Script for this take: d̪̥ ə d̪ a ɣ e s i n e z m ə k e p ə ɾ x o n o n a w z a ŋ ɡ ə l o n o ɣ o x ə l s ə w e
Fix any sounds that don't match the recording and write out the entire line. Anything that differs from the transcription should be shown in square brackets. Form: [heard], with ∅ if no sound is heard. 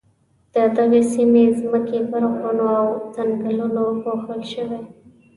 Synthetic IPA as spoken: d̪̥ ə d̪ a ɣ e s i [m] e z m ə k e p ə ɾ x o n o [∅] a w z a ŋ ɡ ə l [u] n o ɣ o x ə l [ʃ] ə w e